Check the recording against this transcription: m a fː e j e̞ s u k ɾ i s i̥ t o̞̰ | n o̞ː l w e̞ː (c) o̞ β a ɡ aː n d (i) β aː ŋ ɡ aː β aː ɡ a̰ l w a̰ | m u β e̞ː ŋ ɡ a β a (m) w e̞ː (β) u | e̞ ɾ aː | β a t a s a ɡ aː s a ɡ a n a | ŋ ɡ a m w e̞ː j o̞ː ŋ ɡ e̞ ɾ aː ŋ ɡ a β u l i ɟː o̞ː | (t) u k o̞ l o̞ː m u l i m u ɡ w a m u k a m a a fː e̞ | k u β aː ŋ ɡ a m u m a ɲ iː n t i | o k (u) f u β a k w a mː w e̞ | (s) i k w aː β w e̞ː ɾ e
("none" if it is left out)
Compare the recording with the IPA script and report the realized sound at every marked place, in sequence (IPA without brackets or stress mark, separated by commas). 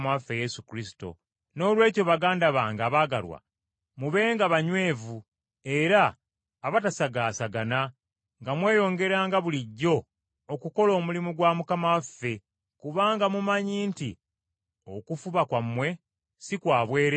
c, a, ɲ, v, k, u, s